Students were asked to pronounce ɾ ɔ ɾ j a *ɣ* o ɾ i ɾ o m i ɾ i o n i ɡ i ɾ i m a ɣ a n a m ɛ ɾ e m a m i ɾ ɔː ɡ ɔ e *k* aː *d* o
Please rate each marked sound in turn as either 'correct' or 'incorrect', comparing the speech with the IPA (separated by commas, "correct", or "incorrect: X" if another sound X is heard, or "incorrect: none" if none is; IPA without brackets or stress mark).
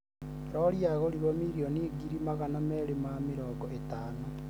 correct, incorrect: t, incorrect: n